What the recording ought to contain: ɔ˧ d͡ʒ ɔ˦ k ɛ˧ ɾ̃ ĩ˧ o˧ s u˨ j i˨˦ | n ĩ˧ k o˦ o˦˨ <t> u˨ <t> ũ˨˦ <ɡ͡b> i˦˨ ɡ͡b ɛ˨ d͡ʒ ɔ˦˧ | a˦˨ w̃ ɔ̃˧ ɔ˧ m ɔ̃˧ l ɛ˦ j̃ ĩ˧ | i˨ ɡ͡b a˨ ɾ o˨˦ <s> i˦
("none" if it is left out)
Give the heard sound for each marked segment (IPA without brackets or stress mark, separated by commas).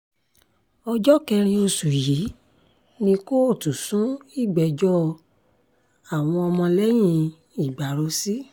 t, s, none, s